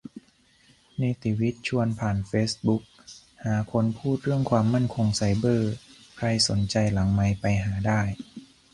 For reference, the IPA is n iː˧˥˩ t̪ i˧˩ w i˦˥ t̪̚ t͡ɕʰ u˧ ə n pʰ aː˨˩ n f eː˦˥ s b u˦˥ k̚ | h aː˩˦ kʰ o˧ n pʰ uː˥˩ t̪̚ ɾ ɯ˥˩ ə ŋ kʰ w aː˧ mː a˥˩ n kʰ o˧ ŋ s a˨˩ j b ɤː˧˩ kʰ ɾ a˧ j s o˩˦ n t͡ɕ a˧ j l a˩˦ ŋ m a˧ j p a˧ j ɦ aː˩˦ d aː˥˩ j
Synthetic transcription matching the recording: n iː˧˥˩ t̪ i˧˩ w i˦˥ t̪̚ t͡ɕʰ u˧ ə n pʰ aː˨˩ n f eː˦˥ s b u˦˥ k̚ | h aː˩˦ kʰ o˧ n pʰ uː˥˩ t̪̚ ɾ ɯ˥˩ ə ŋ kʰ w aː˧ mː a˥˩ n kʰ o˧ ŋ s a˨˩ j b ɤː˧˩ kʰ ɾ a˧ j s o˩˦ n t͡ɕ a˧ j l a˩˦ ŋ m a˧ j p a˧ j ɦ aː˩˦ d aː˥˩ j